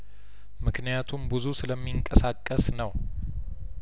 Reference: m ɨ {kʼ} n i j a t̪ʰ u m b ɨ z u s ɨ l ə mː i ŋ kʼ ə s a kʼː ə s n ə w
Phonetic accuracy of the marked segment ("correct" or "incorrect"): incorrect